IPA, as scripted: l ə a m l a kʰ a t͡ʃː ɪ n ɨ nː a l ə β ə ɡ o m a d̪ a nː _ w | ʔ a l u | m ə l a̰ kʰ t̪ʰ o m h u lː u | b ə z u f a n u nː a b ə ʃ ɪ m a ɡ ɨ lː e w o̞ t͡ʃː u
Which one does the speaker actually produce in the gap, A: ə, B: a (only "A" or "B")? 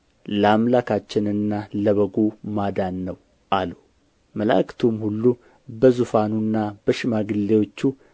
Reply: A